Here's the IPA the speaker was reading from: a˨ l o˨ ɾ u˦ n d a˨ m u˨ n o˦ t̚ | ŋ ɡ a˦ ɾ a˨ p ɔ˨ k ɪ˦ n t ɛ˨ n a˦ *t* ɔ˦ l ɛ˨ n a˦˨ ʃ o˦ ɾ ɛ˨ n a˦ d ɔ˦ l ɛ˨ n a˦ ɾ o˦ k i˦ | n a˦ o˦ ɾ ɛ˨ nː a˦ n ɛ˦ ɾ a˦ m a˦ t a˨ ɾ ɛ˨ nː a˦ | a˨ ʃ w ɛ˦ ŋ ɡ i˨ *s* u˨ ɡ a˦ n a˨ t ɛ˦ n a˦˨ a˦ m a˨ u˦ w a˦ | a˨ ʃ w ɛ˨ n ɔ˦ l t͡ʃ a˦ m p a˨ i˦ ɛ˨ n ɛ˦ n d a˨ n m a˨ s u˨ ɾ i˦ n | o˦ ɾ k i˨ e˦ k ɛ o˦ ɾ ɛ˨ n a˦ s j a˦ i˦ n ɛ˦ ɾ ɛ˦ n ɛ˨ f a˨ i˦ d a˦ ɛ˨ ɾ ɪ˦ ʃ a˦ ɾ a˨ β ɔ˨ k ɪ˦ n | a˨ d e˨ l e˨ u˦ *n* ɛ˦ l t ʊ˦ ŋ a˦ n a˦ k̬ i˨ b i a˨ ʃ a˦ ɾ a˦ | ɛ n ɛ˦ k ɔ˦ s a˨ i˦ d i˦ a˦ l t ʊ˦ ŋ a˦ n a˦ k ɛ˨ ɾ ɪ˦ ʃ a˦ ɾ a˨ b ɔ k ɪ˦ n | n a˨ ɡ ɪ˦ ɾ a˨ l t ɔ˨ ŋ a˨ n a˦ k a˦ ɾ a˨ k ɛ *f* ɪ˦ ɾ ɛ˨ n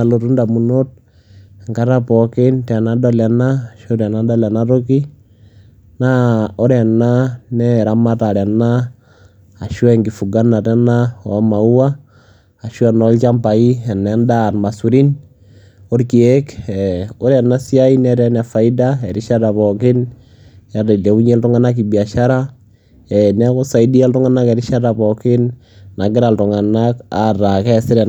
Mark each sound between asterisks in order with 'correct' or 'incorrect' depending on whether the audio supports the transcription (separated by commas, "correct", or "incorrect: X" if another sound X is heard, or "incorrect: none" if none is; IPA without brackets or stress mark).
incorrect: d, incorrect: f, incorrect: ɲ, incorrect: s